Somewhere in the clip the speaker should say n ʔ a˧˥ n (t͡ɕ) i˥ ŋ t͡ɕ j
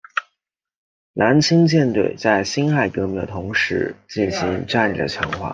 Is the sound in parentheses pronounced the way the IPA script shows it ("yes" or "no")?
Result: no